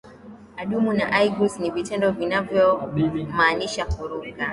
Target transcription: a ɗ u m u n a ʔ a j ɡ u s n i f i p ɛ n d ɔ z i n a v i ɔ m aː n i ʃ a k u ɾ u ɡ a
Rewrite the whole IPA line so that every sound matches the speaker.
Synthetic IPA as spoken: a ɗ u m u n a ʔ a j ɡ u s n i v i t ɛ n d ɔ v i n a v j ɔ m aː n i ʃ a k u ɾ u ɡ a

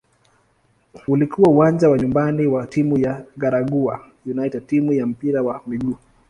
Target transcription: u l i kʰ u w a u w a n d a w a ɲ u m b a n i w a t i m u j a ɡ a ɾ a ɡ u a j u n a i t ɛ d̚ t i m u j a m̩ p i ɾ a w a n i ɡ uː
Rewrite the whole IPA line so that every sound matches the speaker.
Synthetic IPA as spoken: u l i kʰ u w a u w a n d͡ʒ a w a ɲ u m b a n i w a t i m u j a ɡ a ɾ a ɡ u a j u n a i t ɛ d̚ t i m u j a m̩ p i ɾ a w a m i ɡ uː

